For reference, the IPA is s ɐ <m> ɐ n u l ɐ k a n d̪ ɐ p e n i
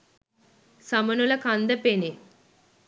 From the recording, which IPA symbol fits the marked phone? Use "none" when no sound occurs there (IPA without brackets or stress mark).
m